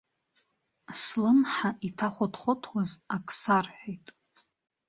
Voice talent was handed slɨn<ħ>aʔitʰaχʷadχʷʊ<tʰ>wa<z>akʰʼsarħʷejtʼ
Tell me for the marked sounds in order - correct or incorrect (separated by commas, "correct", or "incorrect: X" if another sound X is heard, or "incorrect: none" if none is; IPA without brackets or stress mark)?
correct, correct, correct